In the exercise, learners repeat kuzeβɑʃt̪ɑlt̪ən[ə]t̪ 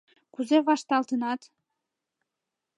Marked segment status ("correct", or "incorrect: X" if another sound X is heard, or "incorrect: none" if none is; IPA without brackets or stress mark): incorrect: ɑ